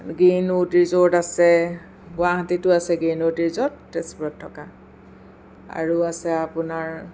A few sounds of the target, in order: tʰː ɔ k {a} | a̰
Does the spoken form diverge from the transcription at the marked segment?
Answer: no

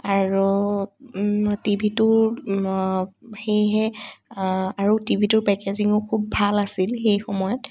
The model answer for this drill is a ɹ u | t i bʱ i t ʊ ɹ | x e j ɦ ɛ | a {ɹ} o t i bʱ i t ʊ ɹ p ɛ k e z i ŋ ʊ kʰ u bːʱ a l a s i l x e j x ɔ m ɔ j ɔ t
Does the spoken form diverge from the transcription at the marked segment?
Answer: no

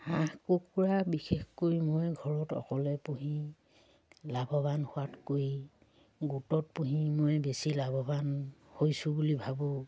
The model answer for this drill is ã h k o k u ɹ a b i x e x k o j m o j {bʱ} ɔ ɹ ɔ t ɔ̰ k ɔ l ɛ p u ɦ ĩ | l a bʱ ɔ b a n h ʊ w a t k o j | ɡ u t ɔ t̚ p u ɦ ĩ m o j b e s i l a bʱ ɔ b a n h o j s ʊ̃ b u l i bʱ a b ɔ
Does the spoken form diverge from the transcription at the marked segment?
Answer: yes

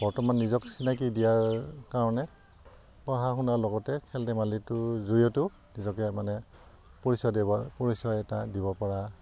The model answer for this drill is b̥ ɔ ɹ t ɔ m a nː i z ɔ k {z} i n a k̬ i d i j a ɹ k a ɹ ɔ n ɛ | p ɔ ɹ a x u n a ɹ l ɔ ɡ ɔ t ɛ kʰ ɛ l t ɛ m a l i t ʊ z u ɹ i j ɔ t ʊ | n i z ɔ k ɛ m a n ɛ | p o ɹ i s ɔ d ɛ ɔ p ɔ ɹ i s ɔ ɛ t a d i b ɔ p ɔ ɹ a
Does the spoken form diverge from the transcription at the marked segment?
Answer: yes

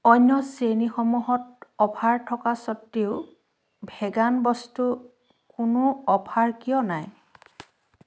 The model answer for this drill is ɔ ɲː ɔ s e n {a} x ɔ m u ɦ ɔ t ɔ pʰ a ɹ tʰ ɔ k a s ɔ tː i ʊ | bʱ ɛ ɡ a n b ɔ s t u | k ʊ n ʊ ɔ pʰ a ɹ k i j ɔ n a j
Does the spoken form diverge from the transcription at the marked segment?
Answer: yes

